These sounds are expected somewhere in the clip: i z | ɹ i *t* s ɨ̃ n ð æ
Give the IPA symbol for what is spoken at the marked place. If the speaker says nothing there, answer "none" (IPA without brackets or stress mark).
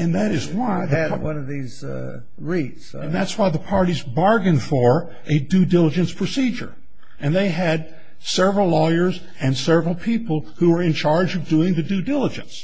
t